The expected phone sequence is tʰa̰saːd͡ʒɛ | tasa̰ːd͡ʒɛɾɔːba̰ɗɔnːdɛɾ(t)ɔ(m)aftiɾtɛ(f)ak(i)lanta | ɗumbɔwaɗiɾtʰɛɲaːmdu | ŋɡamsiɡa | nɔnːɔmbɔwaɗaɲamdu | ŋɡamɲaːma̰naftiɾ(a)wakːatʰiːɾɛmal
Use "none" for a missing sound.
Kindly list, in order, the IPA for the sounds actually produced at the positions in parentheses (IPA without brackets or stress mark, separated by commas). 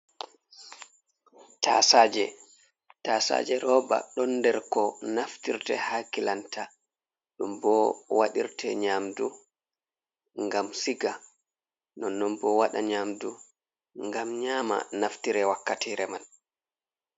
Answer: k, n, h, i, ɛ